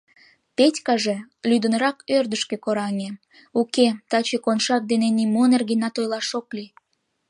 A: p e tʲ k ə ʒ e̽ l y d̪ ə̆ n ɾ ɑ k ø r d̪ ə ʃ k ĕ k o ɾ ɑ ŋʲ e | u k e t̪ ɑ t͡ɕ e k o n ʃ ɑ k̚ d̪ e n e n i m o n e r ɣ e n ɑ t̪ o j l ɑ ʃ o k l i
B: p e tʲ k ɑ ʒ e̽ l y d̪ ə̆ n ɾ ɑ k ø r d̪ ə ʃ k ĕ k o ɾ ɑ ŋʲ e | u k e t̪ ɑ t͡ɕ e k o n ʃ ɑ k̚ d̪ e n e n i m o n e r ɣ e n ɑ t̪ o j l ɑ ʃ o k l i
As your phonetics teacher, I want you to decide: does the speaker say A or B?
B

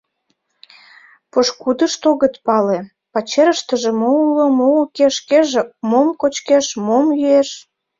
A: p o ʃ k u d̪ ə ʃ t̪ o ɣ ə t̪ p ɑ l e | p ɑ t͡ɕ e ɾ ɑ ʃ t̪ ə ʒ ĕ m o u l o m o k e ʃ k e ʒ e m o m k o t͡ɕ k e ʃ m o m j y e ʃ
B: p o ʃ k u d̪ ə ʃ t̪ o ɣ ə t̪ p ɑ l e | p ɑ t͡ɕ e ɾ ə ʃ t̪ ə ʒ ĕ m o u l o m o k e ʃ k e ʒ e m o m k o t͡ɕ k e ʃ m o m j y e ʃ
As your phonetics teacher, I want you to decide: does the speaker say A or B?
B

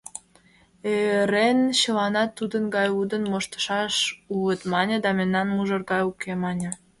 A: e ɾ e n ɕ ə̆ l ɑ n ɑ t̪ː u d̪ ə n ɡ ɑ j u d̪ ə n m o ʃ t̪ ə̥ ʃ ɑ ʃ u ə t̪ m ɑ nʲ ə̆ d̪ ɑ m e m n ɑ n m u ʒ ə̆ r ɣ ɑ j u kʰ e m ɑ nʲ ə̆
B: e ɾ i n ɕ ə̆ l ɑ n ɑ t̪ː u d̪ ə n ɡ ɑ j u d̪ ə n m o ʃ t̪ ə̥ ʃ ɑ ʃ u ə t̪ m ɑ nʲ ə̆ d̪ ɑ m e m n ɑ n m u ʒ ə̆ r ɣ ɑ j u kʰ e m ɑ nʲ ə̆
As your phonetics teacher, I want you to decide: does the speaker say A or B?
A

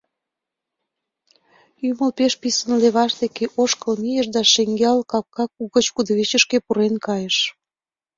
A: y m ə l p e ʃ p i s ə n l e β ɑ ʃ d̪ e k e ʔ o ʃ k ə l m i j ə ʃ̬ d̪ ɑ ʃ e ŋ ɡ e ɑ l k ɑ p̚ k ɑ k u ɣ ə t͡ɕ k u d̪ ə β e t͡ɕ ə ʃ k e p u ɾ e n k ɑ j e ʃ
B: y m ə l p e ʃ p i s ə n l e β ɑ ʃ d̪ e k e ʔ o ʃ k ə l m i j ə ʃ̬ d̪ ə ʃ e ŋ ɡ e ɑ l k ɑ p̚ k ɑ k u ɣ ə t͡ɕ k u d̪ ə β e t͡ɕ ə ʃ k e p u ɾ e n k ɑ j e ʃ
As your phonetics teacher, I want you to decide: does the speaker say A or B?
A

